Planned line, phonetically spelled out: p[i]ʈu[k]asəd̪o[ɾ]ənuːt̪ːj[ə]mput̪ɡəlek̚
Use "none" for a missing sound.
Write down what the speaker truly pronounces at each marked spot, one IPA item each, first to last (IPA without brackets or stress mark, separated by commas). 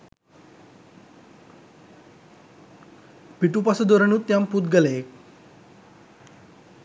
i, p, ɾ, a